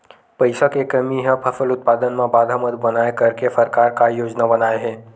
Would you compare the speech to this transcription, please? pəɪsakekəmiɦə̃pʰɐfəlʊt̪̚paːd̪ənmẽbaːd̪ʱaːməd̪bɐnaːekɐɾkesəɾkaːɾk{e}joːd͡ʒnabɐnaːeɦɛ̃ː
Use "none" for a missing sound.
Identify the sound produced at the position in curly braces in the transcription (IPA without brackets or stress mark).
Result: a